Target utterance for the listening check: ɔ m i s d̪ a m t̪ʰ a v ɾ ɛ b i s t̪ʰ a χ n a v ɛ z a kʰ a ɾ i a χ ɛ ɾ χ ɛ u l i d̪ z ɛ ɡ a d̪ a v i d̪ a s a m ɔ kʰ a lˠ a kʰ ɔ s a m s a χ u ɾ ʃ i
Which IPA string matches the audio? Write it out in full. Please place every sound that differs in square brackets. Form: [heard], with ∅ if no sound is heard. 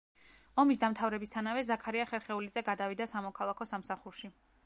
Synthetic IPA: ɔ m i s d̪ a m t̪ʰ a v ɾ ɛ b i s t̪ʰ a [∅] n a v ɛ z a kʰ a ɾ i a χ ɛ ɾ χ ɛ u l i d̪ z ɛ ɡ a d̪ a v i d̪ a s a m ɔ kʰ a lˠ a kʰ ɔ s a m s a χ u ɾ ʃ i